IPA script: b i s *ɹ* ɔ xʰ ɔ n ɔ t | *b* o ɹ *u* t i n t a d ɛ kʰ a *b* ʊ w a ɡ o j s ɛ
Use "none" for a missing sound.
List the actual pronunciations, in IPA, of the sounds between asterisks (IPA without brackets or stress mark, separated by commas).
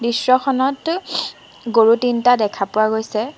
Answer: ɹ, ɡ, u, p